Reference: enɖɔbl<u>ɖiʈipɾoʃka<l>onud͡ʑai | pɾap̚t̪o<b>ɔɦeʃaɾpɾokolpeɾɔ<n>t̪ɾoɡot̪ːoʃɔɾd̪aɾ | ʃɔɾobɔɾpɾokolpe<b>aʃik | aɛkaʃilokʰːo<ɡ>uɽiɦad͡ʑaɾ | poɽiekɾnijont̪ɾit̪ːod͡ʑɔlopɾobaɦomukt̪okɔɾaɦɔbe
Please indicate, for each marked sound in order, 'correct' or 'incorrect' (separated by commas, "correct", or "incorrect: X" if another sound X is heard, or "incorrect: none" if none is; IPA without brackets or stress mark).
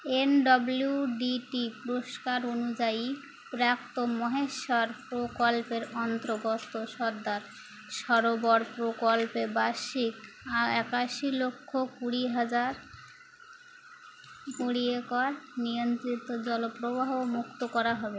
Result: correct, incorrect: ɾ, incorrect: m, correct, correct, incorrect: k